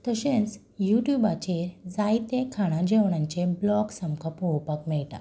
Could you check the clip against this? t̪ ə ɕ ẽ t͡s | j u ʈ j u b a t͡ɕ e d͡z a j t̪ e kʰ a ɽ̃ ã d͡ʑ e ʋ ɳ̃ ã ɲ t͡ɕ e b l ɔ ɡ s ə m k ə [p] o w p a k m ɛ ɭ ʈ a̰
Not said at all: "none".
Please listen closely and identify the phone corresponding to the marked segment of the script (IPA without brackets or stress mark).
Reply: p